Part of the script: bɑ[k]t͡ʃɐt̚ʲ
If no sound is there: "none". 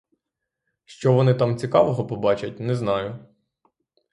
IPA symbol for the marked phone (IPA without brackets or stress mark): none